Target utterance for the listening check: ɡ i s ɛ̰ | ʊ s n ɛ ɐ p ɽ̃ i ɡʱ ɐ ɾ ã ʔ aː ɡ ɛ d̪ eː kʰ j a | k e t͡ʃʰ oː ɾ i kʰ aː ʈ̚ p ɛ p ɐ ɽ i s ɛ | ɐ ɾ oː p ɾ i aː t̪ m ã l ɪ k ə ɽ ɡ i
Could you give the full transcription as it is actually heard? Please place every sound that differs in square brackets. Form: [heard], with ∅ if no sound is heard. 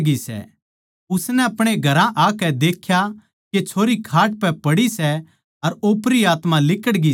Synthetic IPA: ɡ i s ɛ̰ | ʊ s n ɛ ɐ p ɽ̃ [e] ɡʱ ɐ ɾ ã ʔ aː [k] ɛ d̪ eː kʰ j a | k e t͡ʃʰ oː ɾ i kʰ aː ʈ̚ p ɛ p ɐ ɽ i s ɛ | ɐ ɾ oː p ɾ i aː t̪ m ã l ɪ k ə ɽ ɡ i